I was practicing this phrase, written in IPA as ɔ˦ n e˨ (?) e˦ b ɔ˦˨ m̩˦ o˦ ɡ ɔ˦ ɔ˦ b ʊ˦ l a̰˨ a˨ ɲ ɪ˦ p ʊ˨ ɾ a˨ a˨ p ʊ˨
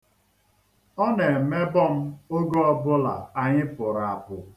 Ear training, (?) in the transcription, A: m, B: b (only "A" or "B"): A